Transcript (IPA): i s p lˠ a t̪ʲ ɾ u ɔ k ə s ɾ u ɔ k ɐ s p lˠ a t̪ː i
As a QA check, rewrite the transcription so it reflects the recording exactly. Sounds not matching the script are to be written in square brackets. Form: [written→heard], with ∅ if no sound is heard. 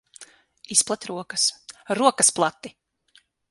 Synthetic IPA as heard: i s p lˠ a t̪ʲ ɾ u ɔ k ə s ɾ u ɔ k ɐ s p lˠ a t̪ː i